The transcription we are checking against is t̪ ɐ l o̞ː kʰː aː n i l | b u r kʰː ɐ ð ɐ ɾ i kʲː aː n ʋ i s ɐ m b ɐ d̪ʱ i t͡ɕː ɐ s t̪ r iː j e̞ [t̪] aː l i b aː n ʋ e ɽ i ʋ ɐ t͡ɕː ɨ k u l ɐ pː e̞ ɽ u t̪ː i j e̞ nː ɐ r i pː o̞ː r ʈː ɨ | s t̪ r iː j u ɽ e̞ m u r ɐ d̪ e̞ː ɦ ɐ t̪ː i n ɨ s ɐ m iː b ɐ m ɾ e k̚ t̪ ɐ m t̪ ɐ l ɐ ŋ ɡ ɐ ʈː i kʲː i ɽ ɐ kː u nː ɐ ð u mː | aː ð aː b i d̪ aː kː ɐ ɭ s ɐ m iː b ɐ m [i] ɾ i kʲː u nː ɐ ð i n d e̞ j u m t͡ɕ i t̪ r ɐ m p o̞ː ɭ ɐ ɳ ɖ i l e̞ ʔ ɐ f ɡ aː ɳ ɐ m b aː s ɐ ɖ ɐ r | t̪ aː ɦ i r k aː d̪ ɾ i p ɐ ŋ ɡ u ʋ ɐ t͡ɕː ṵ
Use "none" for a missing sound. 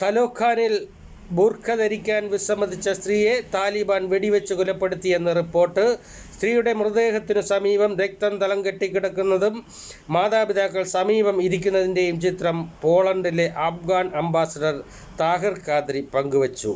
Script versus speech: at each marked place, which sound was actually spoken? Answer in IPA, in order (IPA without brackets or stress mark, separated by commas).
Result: t̪, i